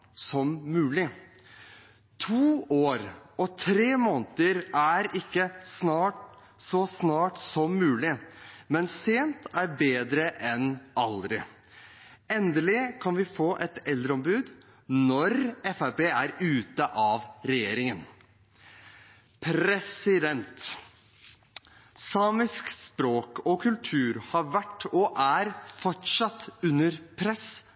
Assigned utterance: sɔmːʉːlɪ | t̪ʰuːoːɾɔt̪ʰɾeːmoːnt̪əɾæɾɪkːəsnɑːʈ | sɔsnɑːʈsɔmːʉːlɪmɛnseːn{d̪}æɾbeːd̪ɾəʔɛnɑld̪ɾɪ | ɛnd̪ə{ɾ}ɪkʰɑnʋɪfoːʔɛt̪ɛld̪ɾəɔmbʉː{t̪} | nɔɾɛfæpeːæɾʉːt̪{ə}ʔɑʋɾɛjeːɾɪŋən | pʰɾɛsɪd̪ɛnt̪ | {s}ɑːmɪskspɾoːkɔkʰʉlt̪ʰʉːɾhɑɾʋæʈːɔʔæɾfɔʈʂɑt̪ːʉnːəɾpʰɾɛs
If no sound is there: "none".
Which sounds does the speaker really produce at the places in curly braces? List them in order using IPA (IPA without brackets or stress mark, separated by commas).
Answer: t̪, l, d̪, ə, s